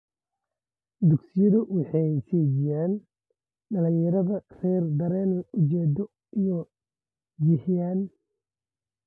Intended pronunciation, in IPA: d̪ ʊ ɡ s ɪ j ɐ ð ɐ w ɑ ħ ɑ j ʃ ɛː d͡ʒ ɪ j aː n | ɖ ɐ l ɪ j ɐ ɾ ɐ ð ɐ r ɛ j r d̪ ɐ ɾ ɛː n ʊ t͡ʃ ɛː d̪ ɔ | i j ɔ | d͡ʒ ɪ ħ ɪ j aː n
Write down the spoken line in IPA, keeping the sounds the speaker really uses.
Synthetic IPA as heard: d̪ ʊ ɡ s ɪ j ɐ ð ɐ w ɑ ħ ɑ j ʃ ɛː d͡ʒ ɪ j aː n | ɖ ɐ l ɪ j ɐ ɾ ɐ ð ɐ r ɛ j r d̪ ɐ ɾ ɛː n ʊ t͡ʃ ɛː d̪ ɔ | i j ɔ | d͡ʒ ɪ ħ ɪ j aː n